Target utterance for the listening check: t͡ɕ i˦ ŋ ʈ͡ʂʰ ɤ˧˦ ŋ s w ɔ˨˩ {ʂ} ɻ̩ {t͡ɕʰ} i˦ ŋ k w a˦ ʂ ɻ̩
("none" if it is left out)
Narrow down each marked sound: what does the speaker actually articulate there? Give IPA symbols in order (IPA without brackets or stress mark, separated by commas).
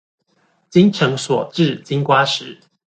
ʈ͡ʂ, t͡ɕ